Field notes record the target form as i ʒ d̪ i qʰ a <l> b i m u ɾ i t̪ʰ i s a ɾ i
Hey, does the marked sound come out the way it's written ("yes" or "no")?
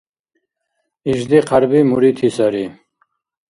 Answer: no